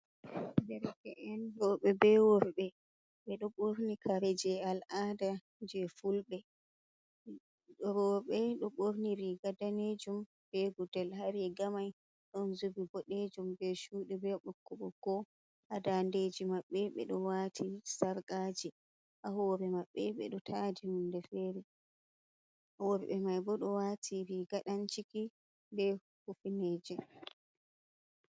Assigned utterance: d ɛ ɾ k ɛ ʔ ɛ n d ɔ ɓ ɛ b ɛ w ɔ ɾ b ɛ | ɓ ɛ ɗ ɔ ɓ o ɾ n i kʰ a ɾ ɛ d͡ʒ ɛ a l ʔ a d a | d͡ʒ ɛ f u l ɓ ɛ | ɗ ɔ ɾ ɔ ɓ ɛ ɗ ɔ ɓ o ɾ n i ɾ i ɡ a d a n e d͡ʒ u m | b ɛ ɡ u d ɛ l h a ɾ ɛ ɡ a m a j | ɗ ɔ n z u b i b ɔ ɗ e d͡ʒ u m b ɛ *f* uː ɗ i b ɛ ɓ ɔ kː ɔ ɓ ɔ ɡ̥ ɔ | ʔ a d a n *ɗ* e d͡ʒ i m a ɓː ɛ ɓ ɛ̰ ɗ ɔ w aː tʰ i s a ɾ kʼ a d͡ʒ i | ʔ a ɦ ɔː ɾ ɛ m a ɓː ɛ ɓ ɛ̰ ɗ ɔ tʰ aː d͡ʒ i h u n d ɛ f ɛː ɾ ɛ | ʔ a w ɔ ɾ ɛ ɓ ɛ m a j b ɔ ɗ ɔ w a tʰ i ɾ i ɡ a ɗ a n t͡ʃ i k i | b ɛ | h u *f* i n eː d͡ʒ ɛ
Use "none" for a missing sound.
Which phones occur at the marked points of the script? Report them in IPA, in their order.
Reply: ʃ, d, f

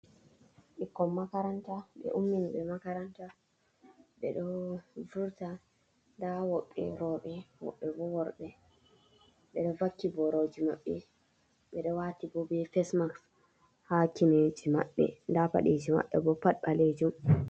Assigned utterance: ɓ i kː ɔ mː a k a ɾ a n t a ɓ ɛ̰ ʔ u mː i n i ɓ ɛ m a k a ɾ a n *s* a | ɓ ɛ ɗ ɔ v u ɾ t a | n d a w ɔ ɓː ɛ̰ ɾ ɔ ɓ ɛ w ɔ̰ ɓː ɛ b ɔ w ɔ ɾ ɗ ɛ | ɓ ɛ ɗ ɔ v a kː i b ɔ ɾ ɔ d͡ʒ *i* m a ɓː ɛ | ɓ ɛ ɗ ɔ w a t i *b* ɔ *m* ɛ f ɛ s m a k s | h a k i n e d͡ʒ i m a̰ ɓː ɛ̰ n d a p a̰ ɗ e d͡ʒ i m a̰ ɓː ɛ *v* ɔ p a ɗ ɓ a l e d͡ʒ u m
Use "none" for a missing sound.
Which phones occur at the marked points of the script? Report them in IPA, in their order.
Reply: t, i, b, b, b

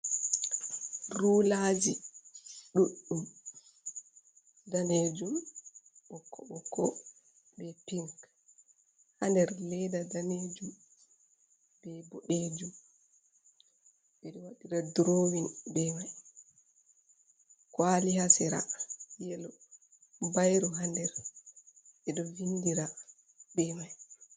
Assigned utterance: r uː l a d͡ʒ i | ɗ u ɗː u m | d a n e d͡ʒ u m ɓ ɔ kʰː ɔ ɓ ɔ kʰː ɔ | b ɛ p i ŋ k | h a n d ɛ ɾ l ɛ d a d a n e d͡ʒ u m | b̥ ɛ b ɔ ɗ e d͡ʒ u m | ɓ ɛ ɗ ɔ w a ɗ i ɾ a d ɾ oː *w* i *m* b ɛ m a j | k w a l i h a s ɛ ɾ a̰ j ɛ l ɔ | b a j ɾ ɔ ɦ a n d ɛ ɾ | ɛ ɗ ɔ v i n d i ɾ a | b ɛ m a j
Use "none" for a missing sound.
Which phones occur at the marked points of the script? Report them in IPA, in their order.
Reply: w, n

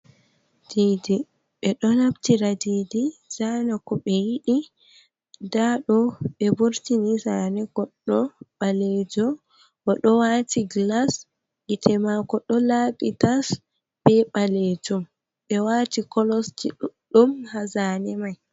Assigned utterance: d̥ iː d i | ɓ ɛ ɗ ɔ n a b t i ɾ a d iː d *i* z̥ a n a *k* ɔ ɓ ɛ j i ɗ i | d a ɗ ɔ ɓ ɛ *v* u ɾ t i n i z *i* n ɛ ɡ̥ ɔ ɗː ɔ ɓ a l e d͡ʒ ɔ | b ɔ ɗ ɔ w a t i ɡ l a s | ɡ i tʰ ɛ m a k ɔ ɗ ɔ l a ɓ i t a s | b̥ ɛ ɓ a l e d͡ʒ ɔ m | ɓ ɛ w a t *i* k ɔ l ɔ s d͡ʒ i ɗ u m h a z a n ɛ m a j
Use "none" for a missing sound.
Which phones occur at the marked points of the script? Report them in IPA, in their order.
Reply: i, k, b, a, i

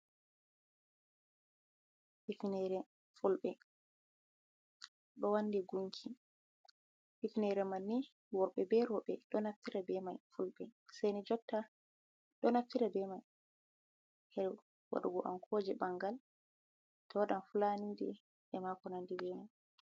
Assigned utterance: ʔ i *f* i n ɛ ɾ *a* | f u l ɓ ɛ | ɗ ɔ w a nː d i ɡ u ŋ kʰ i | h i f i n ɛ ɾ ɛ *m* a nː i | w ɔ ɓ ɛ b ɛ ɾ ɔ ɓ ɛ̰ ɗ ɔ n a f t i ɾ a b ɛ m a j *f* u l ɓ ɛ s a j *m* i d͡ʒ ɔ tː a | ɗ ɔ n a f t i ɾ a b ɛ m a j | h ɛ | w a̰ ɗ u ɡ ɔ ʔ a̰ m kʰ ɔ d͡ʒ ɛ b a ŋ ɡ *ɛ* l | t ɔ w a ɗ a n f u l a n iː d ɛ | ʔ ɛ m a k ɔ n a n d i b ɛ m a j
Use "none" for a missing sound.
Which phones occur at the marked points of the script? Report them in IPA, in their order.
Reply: f, ɛ, m, f, n, a

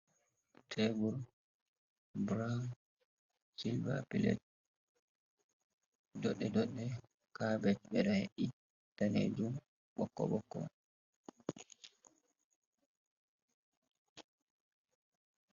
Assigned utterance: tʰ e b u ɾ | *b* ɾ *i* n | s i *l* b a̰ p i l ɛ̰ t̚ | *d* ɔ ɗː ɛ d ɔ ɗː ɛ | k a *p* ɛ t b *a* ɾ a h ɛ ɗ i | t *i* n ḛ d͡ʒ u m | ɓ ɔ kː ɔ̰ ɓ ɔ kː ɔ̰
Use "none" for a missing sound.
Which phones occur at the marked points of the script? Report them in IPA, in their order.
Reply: b, a, l, d, b, ɛ, a

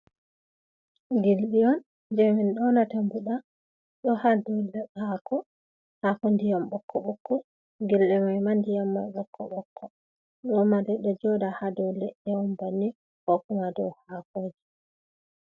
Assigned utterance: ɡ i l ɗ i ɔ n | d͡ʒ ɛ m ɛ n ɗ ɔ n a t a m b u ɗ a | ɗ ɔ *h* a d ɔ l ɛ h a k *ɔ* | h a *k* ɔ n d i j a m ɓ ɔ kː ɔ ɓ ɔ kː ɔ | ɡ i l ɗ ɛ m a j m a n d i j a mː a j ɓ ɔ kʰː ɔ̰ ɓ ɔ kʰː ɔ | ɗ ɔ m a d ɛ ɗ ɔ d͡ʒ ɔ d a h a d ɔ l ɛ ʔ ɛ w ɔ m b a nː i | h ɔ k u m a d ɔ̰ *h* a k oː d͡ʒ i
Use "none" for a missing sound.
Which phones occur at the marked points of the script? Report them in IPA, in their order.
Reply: h, ɔ, k, h

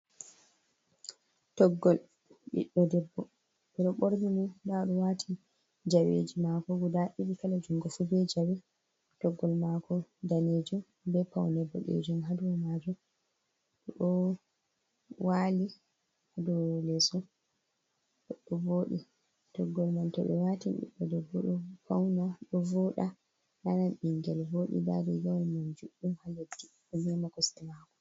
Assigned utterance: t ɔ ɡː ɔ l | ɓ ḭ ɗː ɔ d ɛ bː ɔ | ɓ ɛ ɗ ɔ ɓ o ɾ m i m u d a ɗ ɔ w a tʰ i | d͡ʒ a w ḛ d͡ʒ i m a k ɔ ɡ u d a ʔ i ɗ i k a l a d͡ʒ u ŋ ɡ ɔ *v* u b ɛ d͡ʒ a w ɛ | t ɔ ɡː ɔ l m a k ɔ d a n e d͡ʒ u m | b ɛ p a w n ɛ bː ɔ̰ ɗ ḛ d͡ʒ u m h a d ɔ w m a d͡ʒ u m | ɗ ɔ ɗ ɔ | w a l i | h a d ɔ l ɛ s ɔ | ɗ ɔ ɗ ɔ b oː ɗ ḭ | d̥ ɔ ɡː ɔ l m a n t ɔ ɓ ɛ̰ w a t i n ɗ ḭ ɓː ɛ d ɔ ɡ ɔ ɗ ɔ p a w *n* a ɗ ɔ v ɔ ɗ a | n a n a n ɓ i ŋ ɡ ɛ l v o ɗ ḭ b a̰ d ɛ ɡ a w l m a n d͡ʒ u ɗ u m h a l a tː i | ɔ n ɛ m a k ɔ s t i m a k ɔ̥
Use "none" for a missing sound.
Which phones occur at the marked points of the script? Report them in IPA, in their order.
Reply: f, n

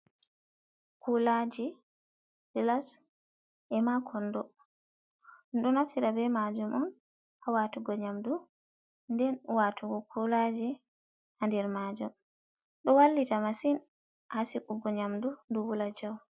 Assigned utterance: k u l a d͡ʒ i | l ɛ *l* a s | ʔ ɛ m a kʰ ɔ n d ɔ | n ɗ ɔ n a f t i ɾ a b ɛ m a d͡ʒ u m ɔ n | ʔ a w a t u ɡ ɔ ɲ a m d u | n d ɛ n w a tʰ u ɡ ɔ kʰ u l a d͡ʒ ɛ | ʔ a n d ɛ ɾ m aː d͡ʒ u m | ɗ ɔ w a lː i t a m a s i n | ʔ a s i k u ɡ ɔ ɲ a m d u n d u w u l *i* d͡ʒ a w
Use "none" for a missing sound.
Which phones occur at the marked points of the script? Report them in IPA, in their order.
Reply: l, a

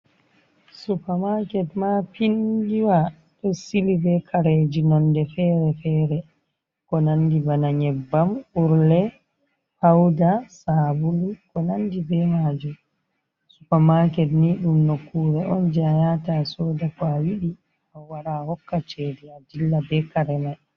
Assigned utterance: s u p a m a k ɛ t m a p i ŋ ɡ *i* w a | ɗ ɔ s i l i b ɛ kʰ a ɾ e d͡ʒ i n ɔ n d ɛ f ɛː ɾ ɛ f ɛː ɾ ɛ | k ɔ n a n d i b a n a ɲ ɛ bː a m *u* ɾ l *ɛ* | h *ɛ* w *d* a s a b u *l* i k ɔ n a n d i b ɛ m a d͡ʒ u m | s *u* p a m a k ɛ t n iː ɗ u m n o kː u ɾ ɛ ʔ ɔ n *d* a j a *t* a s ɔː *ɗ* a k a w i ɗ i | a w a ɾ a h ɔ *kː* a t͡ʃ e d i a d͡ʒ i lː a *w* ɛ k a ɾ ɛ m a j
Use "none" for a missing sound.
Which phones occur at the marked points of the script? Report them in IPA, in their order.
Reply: i, u, ɛ, a, d, l, u, d͡ʒ, t, d, kː, b

